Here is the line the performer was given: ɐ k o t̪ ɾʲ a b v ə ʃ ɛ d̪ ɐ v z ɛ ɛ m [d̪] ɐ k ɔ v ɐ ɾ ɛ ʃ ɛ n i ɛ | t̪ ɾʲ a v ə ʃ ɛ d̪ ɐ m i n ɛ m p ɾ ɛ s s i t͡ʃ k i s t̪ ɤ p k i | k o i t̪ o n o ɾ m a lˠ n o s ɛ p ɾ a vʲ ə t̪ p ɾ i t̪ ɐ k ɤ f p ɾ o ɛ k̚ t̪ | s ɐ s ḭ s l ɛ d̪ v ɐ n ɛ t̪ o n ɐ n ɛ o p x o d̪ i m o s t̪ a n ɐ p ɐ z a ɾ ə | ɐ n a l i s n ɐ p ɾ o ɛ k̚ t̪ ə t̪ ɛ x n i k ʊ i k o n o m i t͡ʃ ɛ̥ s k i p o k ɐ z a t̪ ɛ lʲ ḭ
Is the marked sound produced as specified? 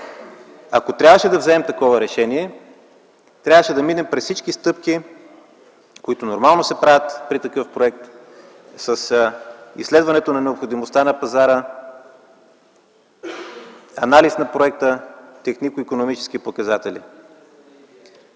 no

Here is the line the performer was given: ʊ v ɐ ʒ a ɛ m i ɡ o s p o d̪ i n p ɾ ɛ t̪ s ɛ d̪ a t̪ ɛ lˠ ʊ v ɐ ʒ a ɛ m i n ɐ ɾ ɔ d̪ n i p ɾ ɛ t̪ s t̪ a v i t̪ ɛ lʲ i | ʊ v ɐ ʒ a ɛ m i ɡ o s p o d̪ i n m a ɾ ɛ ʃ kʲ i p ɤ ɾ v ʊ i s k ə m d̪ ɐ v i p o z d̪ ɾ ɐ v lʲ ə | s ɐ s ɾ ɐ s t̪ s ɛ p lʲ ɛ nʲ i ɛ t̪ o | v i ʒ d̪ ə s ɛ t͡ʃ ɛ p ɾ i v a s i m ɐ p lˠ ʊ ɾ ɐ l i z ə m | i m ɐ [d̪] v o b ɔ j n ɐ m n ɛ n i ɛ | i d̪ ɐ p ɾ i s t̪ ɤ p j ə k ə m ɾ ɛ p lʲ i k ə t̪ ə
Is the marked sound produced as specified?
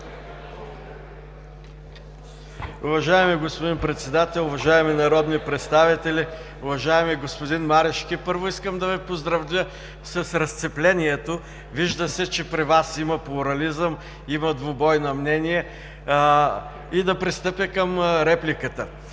yes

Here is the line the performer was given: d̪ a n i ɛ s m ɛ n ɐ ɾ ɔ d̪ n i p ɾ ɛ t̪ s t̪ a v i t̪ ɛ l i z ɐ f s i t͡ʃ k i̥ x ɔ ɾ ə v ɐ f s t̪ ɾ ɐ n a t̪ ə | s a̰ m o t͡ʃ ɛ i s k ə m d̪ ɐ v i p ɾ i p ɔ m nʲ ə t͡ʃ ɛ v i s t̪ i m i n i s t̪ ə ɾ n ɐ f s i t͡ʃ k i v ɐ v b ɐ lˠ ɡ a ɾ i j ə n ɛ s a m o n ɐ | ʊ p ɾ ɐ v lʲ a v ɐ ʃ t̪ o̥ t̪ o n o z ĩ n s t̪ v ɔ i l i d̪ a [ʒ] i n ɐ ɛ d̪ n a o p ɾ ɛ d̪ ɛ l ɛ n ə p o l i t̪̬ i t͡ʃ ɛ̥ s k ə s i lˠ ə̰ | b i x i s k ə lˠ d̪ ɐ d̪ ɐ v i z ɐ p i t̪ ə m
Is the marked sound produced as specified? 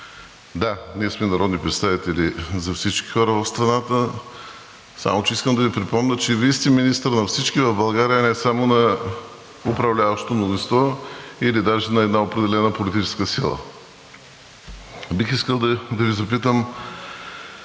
yes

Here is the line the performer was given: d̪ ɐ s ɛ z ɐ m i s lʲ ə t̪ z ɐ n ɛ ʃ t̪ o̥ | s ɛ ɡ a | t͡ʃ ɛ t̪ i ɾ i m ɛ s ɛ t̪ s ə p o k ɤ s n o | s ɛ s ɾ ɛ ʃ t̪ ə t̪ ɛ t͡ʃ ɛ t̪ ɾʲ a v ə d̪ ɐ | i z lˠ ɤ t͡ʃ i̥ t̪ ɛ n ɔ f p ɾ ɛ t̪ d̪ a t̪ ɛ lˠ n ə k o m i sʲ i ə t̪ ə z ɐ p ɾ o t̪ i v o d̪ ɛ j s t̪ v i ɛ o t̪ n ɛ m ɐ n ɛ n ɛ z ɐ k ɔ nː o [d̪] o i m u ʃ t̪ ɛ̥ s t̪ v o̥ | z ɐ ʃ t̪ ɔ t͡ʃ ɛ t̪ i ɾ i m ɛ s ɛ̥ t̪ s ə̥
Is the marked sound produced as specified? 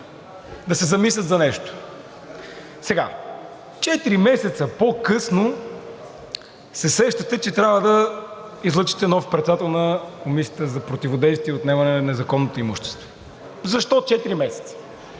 no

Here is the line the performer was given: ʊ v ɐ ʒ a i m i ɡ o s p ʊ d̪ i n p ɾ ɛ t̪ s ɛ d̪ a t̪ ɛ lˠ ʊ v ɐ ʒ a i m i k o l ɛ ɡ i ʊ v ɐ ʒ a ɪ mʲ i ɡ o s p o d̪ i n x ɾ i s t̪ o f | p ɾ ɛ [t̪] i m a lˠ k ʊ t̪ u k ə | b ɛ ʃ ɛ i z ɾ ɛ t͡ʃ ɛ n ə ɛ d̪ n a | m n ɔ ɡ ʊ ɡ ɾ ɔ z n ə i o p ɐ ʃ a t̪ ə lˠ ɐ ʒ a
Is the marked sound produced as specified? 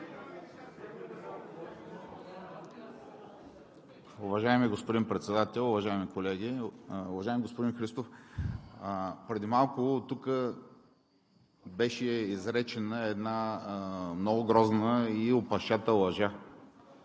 no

